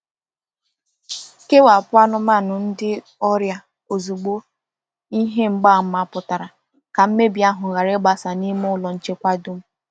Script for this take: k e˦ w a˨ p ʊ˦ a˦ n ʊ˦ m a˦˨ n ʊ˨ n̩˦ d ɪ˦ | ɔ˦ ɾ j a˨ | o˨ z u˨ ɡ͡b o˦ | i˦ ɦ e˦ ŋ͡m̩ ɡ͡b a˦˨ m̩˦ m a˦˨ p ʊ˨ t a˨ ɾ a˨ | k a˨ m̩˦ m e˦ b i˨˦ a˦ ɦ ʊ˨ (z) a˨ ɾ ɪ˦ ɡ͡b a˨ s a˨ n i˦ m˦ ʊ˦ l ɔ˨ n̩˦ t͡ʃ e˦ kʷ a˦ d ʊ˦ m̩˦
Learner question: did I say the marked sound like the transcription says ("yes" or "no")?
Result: no